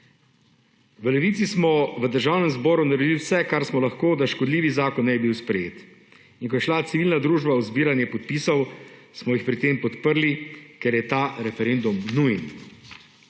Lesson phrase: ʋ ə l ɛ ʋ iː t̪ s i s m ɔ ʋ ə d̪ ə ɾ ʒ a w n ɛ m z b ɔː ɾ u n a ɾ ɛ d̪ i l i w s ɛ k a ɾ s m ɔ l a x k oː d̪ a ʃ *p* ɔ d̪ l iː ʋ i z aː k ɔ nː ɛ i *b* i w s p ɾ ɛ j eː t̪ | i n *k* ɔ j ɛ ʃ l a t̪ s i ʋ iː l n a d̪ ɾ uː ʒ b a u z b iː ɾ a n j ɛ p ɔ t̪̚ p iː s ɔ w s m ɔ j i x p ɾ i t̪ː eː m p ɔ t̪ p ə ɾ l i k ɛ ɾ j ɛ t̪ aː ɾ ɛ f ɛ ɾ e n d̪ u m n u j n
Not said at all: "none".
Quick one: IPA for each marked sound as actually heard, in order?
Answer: k, b, k

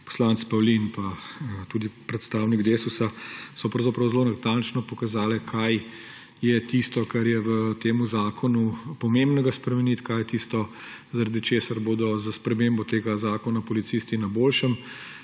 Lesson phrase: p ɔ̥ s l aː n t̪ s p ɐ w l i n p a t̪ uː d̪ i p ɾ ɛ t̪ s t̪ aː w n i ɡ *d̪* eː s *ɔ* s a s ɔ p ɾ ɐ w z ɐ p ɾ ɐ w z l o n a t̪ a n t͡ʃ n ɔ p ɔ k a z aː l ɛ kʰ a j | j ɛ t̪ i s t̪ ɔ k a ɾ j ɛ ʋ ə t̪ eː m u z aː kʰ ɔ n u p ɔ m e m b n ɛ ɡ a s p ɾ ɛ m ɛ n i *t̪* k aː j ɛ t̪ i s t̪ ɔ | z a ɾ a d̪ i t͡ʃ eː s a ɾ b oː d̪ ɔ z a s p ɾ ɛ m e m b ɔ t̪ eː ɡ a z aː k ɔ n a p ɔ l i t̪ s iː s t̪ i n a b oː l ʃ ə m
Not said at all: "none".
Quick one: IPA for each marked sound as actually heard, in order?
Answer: d̪, u, t̪

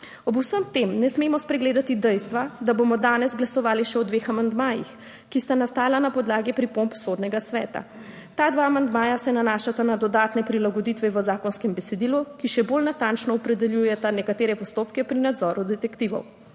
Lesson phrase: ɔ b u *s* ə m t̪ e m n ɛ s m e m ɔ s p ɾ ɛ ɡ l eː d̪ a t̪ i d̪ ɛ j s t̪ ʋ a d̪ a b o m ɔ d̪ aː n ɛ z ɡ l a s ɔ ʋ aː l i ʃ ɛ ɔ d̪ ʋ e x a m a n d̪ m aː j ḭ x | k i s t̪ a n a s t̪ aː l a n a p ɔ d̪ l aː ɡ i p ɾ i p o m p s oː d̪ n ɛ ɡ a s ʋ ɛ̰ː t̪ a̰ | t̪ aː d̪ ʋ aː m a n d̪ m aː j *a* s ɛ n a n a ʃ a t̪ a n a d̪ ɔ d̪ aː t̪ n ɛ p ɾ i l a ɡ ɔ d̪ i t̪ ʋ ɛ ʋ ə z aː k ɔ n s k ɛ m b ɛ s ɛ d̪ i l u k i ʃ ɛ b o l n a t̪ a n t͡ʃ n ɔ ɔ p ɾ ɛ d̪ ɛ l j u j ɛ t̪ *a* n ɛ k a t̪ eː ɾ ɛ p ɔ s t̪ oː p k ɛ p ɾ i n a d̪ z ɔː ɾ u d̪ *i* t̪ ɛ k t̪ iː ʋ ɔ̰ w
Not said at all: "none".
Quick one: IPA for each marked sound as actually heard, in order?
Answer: s, a, a, ɛ

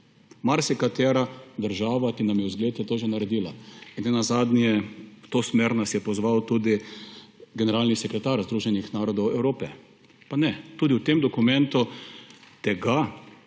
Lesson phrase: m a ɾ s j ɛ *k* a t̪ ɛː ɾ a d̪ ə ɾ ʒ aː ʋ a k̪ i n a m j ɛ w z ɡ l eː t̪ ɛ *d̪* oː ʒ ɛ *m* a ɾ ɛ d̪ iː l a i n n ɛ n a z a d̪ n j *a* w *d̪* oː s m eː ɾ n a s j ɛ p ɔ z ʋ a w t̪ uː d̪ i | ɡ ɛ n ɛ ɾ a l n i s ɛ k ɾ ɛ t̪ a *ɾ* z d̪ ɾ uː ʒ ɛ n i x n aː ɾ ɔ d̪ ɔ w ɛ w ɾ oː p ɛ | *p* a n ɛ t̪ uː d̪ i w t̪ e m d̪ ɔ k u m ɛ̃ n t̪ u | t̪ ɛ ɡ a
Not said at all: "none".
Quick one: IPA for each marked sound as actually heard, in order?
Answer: k, t̪, n, ɛ, t̪, ɾ, p

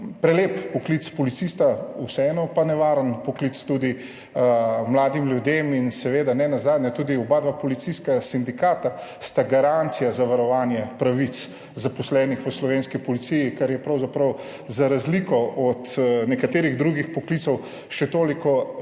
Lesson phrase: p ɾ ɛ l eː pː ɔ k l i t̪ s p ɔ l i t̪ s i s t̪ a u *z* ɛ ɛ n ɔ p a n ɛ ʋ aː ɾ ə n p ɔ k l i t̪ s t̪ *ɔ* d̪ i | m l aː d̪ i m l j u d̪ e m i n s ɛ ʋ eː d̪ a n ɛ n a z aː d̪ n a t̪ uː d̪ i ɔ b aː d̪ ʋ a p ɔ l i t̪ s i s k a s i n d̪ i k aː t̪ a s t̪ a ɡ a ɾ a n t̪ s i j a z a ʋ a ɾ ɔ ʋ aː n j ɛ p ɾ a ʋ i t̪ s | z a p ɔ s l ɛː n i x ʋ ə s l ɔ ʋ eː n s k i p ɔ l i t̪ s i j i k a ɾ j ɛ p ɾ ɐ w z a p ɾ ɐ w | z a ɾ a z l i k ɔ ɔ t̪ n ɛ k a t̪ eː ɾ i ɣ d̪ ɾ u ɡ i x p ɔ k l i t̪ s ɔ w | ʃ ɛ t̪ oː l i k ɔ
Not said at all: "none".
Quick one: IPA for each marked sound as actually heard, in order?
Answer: s, u

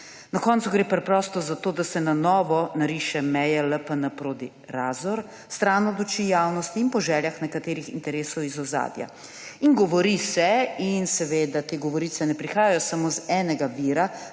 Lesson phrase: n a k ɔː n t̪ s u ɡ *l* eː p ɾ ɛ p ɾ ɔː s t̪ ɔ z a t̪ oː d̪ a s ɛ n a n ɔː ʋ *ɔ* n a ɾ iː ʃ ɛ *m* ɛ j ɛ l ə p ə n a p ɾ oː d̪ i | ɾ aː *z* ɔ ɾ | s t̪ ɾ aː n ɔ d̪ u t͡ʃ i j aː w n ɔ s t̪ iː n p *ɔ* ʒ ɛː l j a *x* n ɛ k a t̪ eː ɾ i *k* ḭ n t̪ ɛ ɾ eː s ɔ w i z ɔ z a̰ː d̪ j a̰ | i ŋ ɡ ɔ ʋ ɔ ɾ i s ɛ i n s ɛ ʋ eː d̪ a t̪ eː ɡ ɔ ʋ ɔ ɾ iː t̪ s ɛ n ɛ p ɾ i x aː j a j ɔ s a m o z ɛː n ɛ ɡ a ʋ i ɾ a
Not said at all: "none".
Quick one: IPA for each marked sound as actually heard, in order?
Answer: ɾ, ɔ, m, z, ɔ, x, x

